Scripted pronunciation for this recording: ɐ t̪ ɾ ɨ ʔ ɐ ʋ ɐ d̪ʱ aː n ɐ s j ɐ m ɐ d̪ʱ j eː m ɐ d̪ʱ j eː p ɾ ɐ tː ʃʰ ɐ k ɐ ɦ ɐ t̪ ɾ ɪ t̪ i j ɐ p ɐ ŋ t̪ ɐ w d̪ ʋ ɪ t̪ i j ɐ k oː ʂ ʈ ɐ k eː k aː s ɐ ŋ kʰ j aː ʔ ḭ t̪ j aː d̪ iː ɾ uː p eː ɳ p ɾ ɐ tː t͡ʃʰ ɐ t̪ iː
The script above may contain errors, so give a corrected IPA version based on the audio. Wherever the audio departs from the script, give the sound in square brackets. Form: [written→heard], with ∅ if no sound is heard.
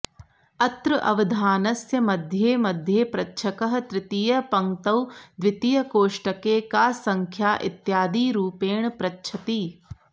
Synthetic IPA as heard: ɐ t̪ ɾ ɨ ʔ ɐ ʋ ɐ d̪ʱ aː n ɐ s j ɐ m ɐ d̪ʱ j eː m ɐ d̪ʱ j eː p ɾ ɐ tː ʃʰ ɐ k ɐ ɦ ɐ t̪ ɾ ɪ t̪ i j ɐ p ɐ ŋ t̪ ɐ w d̪ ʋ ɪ t̪ i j ɐ k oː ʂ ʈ ɐ k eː k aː s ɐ ŋ kʰ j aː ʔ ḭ t̪ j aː d̪ iː ɾ uː p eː ɳ p ɾ ɐ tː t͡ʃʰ ɐ t̪ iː

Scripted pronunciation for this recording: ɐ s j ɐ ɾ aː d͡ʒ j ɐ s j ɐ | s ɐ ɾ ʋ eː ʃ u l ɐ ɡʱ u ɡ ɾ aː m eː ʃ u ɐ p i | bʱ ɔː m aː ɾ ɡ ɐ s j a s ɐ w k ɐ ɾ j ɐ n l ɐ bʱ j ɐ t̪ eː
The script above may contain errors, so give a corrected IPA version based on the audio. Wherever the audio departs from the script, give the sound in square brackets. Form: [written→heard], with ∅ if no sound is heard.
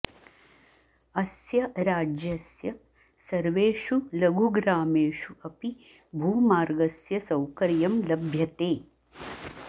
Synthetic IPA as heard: ɐ s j ɐ ɾ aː d͡ʒ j ɐ s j ɐ | s ɐ ɾ ʋ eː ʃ u l ɐ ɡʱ u ɡ ɾ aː m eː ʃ u ɐ p i | bʱ [ɔː→uː] m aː ɾ ɡ ɐ s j [a→ɐ] s ɐ w k ɐ ɾ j ɐ [n→m] l ɐ bʱ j ɐ t̪ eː

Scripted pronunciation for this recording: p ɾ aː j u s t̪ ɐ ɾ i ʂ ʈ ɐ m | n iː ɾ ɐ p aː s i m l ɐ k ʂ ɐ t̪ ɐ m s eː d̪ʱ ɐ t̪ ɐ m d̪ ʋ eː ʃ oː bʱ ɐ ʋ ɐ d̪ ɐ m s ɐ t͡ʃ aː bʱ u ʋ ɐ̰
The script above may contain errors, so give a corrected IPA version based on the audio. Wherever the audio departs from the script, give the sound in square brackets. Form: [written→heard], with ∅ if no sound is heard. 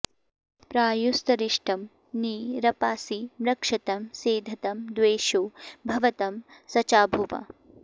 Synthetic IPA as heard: p ɾ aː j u s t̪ ɐ ɾ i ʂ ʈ ɐ m | n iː ɾ ɐ p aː s i m [l→ɾ] ɐ k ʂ ɐ t̪ ɐ m s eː d̪ʱ ɐ t̪ ɐ m d̪ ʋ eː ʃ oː bʱ ɐ ʋ ɐ [d̪→t̪] ɐ m s ɐ t͡ʃ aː bʱ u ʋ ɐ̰

